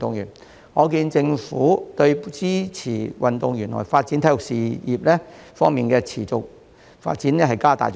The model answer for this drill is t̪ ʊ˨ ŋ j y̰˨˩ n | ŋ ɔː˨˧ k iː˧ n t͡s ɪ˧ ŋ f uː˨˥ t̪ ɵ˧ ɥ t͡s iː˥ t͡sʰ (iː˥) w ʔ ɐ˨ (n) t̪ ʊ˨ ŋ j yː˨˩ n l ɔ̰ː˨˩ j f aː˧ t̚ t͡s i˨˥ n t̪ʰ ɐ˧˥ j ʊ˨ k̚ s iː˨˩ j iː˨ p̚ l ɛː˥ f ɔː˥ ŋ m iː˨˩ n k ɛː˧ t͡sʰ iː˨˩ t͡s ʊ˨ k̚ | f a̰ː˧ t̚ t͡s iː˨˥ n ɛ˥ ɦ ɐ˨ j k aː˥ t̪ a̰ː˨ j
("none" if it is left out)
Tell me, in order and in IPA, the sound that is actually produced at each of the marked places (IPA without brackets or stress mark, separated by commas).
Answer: iː˨˩, n